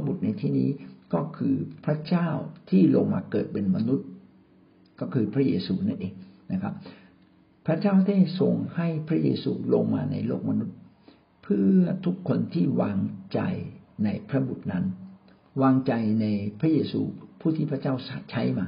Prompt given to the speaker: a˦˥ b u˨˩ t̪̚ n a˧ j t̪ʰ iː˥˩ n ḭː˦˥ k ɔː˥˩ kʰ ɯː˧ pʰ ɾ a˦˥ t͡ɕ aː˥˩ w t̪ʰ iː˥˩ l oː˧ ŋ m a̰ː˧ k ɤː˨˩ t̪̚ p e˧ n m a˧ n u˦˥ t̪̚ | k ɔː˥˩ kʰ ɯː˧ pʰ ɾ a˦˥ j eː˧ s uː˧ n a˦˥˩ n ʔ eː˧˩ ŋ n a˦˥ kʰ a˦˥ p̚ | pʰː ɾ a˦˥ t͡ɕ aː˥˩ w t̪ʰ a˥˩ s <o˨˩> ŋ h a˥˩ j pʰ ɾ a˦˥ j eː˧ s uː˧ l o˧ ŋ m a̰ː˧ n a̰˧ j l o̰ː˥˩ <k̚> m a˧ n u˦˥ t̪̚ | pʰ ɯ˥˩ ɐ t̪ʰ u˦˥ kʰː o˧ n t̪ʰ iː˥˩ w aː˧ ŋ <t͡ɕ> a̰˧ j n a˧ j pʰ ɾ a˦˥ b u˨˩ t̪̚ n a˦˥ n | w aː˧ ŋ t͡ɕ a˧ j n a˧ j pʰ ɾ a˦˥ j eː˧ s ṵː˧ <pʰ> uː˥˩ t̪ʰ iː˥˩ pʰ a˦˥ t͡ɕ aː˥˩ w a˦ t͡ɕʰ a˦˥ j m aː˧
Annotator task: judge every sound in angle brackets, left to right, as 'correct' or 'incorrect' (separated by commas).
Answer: correct, correct, correct, correct